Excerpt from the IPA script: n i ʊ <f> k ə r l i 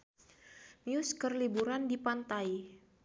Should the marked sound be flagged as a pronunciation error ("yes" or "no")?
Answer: yes